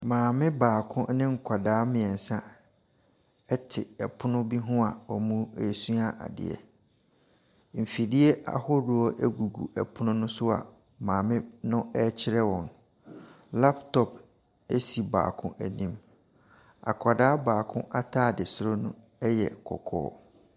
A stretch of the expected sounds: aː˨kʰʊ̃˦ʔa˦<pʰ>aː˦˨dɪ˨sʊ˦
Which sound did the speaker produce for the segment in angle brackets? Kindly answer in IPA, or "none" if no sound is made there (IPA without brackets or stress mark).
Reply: tʰ